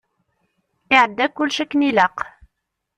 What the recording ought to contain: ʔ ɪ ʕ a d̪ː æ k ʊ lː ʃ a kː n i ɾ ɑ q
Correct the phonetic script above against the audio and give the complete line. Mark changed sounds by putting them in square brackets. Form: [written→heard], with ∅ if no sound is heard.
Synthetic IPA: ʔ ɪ ʕ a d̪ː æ k ʊ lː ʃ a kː n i [ɾ→l] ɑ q